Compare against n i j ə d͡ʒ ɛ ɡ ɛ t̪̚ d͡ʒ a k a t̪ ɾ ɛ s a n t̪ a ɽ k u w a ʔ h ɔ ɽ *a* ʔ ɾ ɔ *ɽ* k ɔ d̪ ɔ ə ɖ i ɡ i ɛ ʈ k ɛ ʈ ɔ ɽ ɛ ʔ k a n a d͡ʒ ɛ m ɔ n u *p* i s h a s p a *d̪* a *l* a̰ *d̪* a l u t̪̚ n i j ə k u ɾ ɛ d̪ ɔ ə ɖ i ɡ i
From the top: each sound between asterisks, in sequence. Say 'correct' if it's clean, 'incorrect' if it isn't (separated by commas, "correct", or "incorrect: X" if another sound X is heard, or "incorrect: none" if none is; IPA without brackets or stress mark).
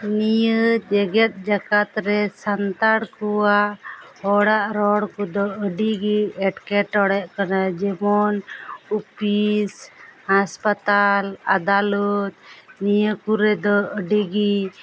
correct, correct, correct, incorrect: t̪, correct, correct